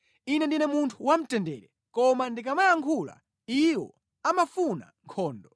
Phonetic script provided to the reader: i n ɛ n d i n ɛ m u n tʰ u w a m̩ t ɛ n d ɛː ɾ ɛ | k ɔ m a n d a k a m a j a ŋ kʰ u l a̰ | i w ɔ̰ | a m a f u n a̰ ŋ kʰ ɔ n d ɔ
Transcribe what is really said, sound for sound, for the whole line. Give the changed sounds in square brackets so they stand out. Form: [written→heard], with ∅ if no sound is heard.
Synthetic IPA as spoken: i n ɛ n d i n ɛ m u n tʰ u w a m̩ t ɛ n d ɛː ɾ ɛ | k ɔ m a n d [a→i] k a m a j a ŋ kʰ u l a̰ | i w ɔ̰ | a m a f u n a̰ ŋ kʰ [ɔ→ɔː] n d ɔ